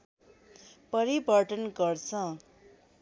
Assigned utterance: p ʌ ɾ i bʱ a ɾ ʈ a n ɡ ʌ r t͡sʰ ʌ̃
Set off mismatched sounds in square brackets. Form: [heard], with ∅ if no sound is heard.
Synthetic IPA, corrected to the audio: p ʌ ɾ i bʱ [ʌ] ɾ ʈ [ʌ] n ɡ ʌ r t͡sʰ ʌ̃